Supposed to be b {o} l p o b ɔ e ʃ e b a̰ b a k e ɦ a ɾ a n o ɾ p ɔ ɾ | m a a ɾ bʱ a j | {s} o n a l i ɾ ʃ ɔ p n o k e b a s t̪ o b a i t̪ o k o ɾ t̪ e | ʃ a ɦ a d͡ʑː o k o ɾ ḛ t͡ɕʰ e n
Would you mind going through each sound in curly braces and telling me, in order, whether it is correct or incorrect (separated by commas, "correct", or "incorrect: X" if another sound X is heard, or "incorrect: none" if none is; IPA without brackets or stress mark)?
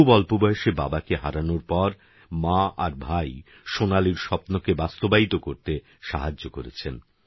incorrect: ɔ, incorrect: ʃ